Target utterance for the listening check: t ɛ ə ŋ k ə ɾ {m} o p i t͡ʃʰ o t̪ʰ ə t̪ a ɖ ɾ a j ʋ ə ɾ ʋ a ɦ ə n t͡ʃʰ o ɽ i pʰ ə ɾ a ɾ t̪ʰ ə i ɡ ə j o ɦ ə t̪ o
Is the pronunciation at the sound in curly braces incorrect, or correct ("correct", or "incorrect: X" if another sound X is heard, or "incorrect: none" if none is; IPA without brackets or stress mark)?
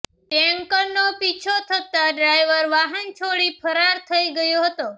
incorrect: n